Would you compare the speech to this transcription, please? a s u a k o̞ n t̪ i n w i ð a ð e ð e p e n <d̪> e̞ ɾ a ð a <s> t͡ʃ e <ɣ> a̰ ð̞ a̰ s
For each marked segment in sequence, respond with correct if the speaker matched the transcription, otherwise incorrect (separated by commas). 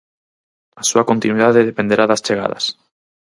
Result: correct, correct, correct